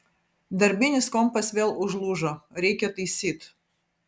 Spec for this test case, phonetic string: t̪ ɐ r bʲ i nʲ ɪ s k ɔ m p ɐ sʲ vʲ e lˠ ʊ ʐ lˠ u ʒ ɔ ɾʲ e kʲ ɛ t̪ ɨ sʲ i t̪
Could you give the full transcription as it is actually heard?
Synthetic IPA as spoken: d̪ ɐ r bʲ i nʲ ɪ s k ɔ m p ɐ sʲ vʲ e lˠ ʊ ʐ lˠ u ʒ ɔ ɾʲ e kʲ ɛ t̪ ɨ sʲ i t̪